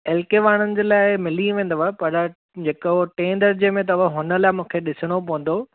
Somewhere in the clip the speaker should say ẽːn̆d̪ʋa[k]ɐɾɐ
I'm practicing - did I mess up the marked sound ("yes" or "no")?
yes